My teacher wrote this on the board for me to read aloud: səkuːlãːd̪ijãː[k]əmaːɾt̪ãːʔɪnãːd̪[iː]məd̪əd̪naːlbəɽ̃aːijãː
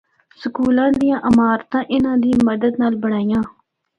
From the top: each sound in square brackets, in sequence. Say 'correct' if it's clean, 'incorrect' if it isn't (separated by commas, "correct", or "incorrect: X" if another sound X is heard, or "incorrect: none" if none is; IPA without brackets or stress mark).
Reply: incorrect: ʔ, correct